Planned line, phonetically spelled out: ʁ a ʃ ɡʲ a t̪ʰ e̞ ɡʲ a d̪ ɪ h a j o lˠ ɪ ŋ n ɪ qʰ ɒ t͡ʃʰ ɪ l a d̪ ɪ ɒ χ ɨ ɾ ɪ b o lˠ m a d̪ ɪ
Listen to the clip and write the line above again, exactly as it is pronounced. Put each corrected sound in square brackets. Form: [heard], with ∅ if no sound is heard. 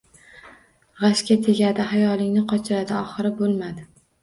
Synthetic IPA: ʁ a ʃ [kʲ] a t̪ʰ e̞ ɡʲ a d̪ ɪ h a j [ɒ] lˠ ɪ ŋ n ɪ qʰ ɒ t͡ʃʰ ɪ [ɾ] a d̪ ɪ ɒ χ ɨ ɾ ɪ b o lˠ m a d̪ ɪ